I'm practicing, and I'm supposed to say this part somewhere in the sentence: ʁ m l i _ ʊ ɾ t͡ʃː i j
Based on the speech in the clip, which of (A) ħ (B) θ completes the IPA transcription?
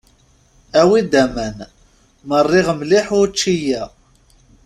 A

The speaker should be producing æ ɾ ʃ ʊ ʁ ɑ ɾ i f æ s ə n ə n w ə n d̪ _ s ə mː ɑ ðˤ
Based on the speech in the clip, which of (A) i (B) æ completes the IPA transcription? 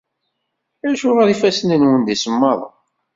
A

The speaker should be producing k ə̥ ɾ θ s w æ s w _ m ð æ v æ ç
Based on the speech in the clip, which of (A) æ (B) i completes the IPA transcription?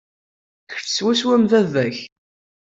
A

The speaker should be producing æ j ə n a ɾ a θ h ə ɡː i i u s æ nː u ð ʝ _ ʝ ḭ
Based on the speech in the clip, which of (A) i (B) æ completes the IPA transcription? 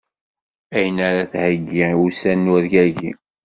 B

